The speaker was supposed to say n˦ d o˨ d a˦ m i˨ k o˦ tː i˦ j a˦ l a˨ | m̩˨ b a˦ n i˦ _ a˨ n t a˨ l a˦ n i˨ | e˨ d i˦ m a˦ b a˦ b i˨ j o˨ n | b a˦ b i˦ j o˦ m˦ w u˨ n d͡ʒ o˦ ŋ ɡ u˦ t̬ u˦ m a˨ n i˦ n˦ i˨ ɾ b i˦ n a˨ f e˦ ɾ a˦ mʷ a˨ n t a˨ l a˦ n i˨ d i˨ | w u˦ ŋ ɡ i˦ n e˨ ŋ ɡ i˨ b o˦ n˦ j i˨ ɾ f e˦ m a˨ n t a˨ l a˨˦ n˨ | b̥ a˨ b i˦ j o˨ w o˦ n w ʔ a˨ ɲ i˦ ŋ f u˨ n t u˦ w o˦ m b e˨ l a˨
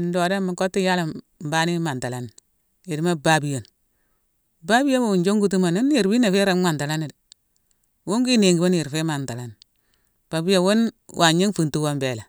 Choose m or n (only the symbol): m